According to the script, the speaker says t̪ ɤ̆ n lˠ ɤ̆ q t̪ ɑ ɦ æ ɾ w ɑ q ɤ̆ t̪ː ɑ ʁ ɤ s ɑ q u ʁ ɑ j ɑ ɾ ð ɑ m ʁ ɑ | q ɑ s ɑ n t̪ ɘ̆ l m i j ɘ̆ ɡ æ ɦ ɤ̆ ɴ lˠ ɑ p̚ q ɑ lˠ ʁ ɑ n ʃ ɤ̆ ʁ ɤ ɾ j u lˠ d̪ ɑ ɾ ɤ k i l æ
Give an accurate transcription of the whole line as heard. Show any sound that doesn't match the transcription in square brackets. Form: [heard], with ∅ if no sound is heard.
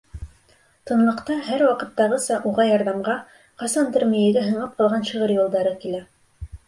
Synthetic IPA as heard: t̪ ɤ̆ n lˠ ɤ̆ q t̪ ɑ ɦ æ ɾ w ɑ q ɤ̆ t̪ː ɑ ʁ ɤ s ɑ [ʔ] u ʁ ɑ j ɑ ɾ ð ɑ m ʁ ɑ | q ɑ s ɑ n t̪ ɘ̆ [ɾ] m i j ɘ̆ ɡ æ ɦ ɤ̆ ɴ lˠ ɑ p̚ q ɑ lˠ ʁ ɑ n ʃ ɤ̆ ʁ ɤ ɾ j u lˠ d̪ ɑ ɾ ɤ k i l æ